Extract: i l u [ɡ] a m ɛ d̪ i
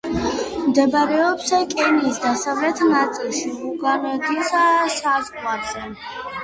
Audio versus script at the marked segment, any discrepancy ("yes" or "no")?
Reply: no